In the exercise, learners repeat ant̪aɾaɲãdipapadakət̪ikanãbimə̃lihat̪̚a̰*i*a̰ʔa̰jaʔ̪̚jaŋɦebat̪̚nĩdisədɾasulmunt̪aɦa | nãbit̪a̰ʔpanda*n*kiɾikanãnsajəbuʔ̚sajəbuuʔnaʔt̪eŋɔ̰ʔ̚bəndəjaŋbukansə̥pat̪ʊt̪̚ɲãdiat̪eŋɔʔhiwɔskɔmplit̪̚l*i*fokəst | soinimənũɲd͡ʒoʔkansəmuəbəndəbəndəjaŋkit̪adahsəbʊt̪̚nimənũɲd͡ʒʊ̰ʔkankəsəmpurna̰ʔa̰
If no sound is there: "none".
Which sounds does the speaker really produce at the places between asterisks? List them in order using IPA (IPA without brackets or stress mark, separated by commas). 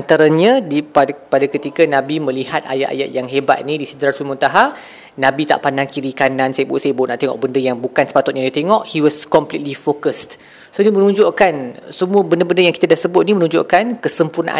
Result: j, ŋ, i